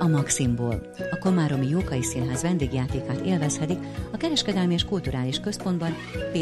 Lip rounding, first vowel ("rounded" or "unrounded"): rounded